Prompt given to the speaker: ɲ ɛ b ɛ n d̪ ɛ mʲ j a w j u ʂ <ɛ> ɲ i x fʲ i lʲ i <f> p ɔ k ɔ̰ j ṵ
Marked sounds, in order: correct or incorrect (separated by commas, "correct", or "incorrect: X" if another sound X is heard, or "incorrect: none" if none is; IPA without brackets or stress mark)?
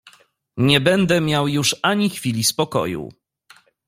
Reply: incorrect: a, incorrect: s